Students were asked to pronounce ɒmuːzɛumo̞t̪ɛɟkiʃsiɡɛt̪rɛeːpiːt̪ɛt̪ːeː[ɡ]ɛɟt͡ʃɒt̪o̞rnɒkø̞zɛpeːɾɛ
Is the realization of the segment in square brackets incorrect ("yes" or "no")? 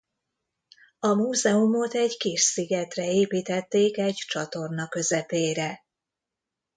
yes